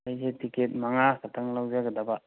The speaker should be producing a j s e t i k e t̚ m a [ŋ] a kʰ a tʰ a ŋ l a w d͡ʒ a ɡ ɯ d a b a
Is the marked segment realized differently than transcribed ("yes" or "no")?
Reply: no